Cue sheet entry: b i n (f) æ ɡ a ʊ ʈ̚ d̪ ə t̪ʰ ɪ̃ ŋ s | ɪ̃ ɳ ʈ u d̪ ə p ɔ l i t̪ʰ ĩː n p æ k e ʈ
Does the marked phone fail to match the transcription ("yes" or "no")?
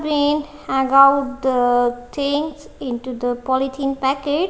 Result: yes